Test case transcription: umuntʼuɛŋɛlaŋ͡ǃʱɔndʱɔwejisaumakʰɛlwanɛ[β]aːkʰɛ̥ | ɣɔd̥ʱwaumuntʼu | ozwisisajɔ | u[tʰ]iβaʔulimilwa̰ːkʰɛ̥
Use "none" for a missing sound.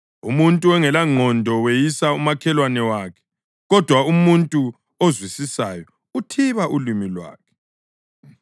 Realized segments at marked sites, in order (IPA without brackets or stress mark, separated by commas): w, tʰ